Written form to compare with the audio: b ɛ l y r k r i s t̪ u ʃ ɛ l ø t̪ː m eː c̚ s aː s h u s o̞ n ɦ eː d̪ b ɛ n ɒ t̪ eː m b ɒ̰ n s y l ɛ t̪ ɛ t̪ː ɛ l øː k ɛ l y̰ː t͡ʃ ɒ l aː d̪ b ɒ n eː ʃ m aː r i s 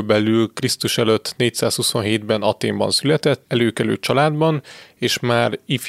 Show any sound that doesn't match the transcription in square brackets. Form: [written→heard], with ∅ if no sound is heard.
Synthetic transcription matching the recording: b ɛ l y [r→l] k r i s t̪ u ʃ ɛ l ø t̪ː [m→n] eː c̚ s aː s h u s o̞ n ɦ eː d̪ b ɛ n ɒ t̪ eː m b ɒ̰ n s y l ɛ t̪ ɛ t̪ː ɛ l øː k ɛ l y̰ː t͡ʃ ɒ l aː d̪ b ɒ n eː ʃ m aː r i [s→f]